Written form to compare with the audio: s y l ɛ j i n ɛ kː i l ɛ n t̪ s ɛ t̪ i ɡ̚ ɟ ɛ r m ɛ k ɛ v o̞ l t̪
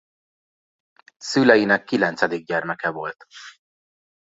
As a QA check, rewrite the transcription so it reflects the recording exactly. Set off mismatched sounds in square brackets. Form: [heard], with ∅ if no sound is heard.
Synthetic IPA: s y l ɛ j i n ɛ kː i l ɛ n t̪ s ɛ [d̪] i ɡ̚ ɟ ɛ r m ɛ k ɛ v o̞ l t̪

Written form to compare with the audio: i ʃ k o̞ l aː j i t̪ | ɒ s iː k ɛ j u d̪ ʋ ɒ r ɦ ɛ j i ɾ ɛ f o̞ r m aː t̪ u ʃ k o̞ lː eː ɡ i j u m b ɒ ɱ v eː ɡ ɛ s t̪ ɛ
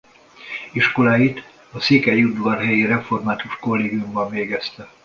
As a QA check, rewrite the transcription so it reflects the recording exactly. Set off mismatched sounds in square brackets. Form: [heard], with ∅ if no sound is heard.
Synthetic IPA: i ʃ k o̞ l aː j i t̪ | ɒ s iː k ɛ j u d̪ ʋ ɒ r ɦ ɛ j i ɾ ɛ f o̞ r m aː t̪ u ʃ k o̞ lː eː ɡ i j u m b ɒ ɱ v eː ɡ ɛ s t̪ ɛ

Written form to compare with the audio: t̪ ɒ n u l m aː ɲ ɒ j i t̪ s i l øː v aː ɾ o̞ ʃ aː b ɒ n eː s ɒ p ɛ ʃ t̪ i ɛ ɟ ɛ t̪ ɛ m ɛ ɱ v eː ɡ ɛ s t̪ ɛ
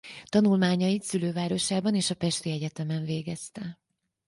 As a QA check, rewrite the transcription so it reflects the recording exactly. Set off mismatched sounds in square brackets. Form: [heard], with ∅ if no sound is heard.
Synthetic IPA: t̪ ɒ n u l m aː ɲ ɒ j i t̪ s [y] l øː v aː ɾ o̞ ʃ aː b ɒ n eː [ʃ] ɒ p ɛ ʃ t̪ i ɛ ɟ ɛ t̪ ɛ m ɛ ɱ v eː ɡ ɛ s t̪ ɛ

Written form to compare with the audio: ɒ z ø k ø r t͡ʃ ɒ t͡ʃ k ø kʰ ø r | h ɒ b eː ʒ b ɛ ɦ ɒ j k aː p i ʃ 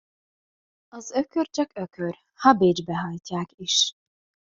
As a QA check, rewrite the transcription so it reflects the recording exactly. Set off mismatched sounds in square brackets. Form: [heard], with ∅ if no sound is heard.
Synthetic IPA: ɒ z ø k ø r t͡ʃ ɒ [∅] k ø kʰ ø r | h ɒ b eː [d͡ʒ] b ɛ ɦ ɒ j [c] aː [k] i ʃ

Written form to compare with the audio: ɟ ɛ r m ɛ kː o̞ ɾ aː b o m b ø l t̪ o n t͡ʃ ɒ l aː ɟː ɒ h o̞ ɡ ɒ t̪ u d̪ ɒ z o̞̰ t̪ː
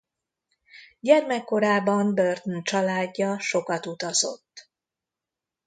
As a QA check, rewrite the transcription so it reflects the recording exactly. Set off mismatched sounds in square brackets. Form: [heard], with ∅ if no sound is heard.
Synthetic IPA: ɟ ɛ r m ɛ kː o̞ ɾ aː b [ɒ] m b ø [r] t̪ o n t͡ʃ ɒ l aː ɟː ɒ [ʃ] o̞ [k] ɒ t̪ u [t̪] ɒ z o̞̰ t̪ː

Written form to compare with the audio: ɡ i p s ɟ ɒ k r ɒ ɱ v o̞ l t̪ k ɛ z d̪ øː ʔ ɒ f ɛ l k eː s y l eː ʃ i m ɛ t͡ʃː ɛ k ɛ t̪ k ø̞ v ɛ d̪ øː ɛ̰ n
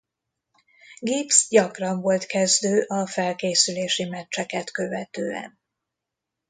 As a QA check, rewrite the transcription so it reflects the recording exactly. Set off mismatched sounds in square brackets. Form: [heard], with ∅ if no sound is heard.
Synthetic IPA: ɡ i p s ɟ ɒ k r ɒ ɱ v o̞ l t̪ k ɛ z d̪ øː ʔ ɒ f ɛ l k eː s y l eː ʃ i m ɛ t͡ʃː ɛ k ɛ t̪ k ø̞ v ɛ [t̪] øː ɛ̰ n

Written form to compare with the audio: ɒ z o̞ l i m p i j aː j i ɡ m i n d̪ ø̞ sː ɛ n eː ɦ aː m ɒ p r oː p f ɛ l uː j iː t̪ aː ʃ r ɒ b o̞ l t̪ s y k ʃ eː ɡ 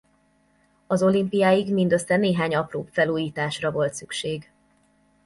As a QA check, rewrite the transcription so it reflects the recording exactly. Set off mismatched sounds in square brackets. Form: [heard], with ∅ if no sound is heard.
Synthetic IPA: ɒ z o̞ l i m p i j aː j i ɡ m i n d̪ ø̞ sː ɛ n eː ɦ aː [ɲ] ɒ p r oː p f ɛ l uː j iː t̪ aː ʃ r ɒ [v] o̞ l t̪ s y k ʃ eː ɡ

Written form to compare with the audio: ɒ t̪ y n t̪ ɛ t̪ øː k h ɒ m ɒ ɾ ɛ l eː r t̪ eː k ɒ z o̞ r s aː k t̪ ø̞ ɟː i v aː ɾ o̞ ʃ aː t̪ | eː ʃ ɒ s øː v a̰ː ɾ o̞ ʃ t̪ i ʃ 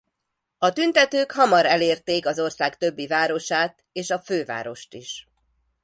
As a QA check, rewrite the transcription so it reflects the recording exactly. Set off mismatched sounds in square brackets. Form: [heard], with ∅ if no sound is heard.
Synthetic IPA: ɒ t̪ y n t̪ ɛ t̪ øː k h ɒ m ɒ ɾ ɛ l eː r t̪ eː k ɒ z o̞ r s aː k t̪ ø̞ [bː] i v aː ɾ o̞ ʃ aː t̪ | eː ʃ ɒ [f] øː v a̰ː ɾ o̞ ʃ t̪ i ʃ

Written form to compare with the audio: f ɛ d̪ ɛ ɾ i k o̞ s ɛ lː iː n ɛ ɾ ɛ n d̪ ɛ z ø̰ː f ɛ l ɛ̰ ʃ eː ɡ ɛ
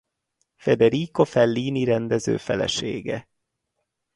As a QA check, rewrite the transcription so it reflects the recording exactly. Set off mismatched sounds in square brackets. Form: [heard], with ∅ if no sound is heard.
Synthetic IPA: f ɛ d̪ ɛ ɾ i k o̞ [f] ɛ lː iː n [i] ɾ ɛ n d̪ ɛ z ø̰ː f ɛ l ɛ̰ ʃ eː ɡ ɛ

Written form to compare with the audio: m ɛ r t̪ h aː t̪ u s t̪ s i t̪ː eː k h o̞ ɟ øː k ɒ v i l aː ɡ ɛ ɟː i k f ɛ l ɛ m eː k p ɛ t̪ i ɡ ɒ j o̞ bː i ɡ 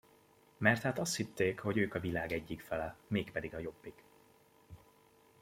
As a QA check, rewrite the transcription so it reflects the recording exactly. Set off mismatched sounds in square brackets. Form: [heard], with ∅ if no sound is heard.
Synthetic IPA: m ɛ r t̪ h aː t̪ [ɒ] s t̪ [h] i t̪ː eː k h o̞ ɟ øː k ɒ v i l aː ɡ ɛ ɟː i k f ɛ l ɛ m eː k p ɛ [d̪] i ɡ ɒ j o̞ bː i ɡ

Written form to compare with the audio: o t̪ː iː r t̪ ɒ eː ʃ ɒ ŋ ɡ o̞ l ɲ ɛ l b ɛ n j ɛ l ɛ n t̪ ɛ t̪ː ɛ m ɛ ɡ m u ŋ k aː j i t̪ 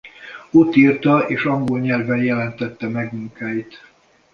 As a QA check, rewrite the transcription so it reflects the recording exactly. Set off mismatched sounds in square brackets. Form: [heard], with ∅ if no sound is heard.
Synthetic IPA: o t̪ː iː r t̪ ɒ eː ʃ ɒ ŋ ɡ o̞ l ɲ ɛ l [v] ɛ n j ɛ l ɛ n t̪ ɛ t̪ː ɛ m ɛ ɡ m u ŋ k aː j i t̪

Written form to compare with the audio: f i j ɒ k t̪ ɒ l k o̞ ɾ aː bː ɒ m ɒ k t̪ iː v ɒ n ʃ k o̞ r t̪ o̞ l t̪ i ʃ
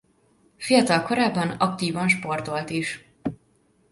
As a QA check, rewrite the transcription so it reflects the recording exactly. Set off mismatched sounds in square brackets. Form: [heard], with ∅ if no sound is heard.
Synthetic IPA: f i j ɒ [∅] t̪ ɒ l k o̞ ɾ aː bː ɒ [n] ɒ k t̪ iː v ɒ n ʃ [p] o̞ r t̪ o̞ l t̪ i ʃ

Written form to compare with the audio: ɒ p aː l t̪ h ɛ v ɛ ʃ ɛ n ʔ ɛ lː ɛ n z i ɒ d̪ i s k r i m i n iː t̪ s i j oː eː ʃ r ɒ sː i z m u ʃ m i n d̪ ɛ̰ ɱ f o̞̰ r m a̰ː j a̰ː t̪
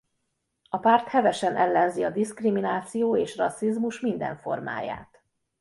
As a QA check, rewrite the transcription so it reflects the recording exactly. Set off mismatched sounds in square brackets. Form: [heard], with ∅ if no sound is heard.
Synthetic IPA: ɒ p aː [r] t̪ h ɛ v ɛ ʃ ɛ n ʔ ɛ lː ɛ n z i ɒ d̪ i s k r i m i n [aː] t̪ s i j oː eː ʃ r ɒ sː i z m u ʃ m i n d̪ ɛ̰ ɱ f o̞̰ r m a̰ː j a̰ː t̪

